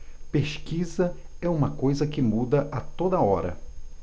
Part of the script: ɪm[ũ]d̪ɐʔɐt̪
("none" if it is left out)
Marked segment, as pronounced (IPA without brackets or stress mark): u